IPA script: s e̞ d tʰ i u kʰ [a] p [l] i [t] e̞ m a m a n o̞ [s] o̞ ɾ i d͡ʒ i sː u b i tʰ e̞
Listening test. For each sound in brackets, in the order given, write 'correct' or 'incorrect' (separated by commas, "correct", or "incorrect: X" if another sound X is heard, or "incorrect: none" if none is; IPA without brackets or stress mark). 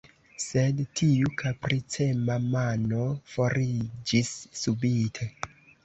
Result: correct, incorrect: ɾ, incorrect: t͡s, incorrect: f